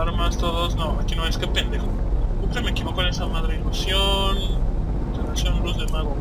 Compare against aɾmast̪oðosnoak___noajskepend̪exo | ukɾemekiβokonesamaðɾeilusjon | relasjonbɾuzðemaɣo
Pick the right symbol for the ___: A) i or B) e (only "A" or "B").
A